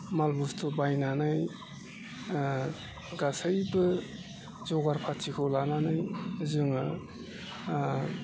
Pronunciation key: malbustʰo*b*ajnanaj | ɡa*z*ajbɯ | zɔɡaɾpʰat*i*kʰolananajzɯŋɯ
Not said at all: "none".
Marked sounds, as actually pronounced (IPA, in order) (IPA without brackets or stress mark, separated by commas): b, s, i